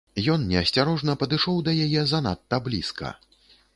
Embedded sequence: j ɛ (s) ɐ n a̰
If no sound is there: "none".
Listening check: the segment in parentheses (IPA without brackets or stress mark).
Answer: z